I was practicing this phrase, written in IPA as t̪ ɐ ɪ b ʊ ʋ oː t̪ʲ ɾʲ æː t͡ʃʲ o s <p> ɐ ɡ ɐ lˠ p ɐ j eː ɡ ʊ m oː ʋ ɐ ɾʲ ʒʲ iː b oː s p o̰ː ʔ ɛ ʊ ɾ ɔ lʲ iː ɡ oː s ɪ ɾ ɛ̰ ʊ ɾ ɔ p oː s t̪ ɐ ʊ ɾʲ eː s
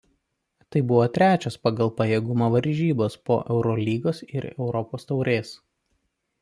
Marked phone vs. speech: correct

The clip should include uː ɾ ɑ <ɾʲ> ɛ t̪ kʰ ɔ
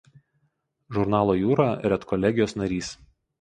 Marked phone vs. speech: correct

